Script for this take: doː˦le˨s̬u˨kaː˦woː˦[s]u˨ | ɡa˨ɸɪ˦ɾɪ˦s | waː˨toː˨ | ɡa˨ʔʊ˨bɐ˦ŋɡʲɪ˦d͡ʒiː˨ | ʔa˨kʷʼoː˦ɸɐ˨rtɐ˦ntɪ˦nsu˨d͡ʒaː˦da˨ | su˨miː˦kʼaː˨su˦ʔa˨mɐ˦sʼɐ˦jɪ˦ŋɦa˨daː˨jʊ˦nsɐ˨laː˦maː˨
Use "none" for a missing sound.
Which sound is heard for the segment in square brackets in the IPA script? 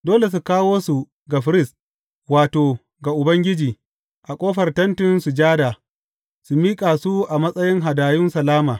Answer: s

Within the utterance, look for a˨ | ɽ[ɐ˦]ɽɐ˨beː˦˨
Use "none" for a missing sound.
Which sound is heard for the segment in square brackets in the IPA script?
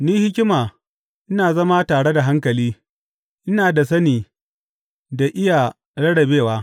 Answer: ɐ˦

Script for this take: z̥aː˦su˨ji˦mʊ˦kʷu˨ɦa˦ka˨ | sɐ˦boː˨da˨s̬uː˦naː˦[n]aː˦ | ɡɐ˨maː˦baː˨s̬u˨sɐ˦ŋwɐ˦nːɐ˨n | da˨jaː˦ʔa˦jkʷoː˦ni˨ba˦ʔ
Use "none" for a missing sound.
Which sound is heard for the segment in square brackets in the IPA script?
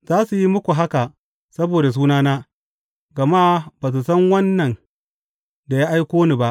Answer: n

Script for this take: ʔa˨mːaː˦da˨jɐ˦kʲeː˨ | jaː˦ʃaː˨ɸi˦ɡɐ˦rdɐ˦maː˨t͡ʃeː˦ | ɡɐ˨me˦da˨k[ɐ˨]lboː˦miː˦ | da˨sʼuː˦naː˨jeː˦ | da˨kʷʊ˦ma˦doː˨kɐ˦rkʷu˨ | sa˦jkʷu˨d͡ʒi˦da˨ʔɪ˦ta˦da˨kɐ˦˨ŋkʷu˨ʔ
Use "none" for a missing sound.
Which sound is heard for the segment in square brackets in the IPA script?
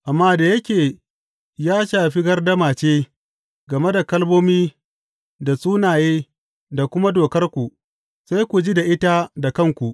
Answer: ɐ˦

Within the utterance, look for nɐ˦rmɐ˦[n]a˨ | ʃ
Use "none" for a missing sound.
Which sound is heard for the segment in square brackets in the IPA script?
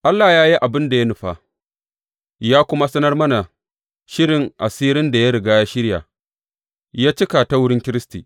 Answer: n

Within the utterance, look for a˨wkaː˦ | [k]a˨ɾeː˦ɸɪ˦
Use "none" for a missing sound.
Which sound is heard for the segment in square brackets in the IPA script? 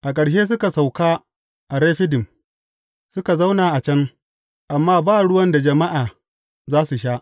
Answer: ʔ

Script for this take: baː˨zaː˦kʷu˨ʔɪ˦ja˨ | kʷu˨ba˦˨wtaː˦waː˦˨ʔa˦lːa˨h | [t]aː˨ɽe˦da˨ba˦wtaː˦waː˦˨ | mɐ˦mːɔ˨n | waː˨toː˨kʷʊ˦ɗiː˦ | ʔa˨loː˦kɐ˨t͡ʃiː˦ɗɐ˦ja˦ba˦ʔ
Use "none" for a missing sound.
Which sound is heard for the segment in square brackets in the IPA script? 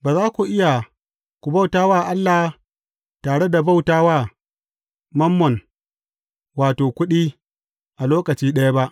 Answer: t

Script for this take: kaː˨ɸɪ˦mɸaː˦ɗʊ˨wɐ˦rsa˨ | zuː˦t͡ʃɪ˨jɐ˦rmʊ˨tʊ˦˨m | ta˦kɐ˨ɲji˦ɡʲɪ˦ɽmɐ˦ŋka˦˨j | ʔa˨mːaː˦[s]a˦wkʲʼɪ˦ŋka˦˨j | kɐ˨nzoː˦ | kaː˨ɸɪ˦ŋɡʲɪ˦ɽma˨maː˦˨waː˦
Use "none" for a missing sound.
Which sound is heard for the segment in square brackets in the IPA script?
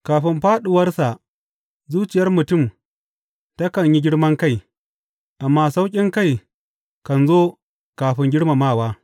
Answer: s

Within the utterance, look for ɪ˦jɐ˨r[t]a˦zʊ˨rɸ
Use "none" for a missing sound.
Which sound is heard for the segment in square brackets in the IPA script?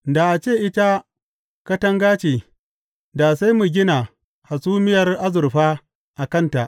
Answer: ʔ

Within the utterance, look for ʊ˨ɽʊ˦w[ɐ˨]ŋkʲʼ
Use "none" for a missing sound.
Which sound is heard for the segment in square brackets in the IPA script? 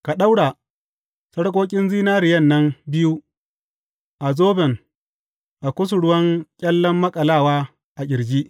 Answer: ɐ˦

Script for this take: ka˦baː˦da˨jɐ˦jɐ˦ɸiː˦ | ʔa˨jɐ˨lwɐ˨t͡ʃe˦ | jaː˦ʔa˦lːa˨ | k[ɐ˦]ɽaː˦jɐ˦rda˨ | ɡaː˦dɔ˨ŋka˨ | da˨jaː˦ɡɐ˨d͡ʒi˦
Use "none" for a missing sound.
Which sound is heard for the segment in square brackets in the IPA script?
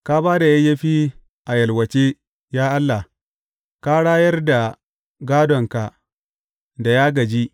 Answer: a˦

